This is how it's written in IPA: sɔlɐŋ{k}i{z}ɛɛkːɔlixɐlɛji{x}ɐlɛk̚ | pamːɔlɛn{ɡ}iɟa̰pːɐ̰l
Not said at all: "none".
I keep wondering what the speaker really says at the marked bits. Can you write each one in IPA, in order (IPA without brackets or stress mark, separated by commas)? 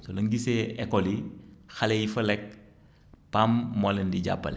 ɡ, s, f, d